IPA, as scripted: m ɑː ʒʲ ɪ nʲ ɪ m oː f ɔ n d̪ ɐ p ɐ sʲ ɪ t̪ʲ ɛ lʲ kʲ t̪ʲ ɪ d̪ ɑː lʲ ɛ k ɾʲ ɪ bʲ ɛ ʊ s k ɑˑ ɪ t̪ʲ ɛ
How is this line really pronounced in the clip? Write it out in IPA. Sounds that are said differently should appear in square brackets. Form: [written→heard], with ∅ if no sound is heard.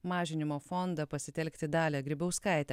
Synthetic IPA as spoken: m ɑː ʒʲ ɪ nʲ ɪ m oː f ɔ n d̪ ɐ p ɐ sʲ ɪ t̪ʲ ɛ lʲ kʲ t̪ʲ ɪ d̪ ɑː lʲ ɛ [k→ɡ] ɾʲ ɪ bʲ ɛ ʊ s k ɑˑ ɪ t̪ʲ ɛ